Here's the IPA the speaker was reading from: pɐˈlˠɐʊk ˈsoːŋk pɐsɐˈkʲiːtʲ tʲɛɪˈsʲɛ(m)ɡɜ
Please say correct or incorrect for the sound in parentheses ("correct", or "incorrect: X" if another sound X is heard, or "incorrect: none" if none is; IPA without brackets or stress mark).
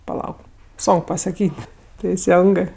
incorrect: ŋ